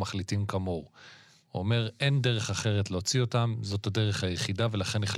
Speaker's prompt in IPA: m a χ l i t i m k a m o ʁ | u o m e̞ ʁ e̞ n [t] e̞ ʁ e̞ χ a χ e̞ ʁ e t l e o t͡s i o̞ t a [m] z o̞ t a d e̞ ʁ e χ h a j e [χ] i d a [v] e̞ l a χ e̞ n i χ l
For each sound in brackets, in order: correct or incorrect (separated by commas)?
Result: incorrect, correct, correct, correct